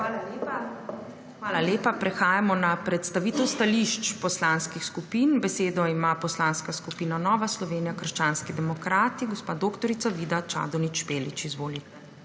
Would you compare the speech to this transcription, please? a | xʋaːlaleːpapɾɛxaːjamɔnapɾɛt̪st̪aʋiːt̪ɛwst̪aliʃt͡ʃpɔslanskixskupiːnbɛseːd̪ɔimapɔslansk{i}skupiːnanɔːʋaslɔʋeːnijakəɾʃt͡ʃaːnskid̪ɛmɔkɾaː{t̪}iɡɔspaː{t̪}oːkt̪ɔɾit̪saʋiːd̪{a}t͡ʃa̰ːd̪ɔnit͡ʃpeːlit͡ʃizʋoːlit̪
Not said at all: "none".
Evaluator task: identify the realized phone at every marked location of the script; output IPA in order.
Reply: a, t̪, d̪, a

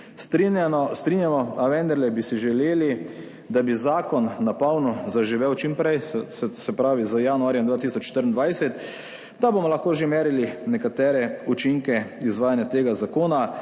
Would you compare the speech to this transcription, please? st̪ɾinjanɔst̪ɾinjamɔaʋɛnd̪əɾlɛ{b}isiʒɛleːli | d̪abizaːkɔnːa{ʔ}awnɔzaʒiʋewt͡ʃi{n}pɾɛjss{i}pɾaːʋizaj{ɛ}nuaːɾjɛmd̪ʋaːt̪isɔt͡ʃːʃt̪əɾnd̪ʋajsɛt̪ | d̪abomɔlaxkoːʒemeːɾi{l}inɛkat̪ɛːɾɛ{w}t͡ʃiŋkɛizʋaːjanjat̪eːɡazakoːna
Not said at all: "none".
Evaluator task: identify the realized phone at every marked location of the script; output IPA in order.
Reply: b, p, m, ɛ, a, l, u

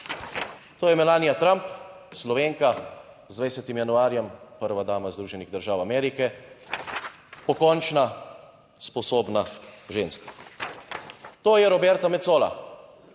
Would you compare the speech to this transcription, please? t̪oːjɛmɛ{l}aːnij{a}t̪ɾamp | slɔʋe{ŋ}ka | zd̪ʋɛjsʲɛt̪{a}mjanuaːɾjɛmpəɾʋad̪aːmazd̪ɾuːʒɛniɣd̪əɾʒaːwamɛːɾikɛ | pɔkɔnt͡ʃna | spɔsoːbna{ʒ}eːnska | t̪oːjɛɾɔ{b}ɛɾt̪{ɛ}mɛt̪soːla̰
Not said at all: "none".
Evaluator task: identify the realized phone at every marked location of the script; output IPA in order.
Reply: l, a, ŋ, i, ʒ, b, a

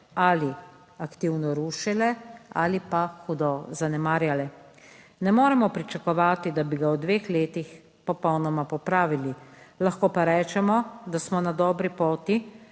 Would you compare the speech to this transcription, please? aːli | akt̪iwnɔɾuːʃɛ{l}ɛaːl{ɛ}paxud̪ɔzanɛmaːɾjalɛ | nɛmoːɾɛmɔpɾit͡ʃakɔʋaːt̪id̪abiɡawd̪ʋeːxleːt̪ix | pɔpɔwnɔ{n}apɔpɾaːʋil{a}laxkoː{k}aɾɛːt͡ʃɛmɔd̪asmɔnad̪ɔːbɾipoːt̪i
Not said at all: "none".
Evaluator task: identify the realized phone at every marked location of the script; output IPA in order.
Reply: l, i, m, i, p

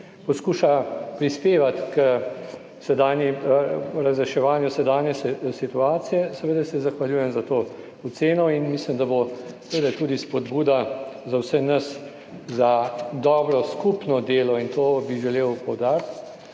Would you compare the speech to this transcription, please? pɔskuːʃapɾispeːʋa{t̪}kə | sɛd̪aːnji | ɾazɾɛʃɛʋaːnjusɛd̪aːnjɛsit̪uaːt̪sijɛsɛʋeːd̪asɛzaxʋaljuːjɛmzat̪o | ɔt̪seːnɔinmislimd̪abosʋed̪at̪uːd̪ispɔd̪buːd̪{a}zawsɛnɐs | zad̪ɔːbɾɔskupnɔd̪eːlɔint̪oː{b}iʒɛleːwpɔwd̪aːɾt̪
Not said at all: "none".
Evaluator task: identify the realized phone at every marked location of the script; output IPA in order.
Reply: t̪, a, b

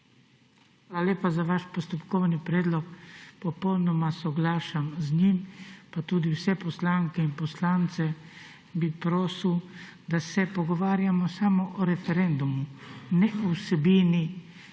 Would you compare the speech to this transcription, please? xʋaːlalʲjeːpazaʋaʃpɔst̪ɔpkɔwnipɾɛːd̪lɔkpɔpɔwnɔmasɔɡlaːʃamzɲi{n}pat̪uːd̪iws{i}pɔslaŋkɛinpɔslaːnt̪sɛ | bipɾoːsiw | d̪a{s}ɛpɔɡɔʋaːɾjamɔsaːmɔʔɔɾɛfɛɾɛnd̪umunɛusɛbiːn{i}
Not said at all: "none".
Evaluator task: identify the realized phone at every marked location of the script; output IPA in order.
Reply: m, ɛ, s, i

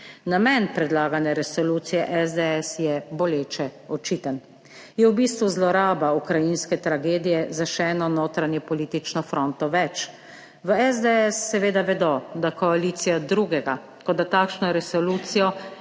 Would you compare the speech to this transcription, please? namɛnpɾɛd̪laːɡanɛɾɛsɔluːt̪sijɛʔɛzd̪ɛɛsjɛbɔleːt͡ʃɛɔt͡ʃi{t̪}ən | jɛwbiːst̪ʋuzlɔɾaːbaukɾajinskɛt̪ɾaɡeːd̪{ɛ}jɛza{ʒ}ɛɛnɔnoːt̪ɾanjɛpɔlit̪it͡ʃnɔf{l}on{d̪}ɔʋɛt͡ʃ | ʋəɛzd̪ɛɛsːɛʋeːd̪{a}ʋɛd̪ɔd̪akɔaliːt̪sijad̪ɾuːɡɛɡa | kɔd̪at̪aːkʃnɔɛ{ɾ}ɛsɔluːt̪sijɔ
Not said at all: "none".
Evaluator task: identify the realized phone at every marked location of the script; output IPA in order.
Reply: t̪, i, ʃ, ɾ, t̪, a, ɾ

